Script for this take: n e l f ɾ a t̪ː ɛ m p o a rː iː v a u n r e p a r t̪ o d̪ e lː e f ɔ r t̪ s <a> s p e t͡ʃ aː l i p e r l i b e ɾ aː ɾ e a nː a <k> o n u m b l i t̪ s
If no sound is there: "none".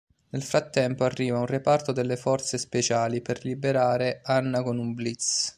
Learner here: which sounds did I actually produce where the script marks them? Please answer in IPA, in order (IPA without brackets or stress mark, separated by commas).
e, k